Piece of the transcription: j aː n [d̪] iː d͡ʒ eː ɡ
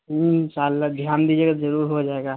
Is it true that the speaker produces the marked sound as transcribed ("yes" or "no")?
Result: yes